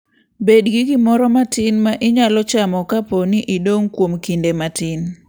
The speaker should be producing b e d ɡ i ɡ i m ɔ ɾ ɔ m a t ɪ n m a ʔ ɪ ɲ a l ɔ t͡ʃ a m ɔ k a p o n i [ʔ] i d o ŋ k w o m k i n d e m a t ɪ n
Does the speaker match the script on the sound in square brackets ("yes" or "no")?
yes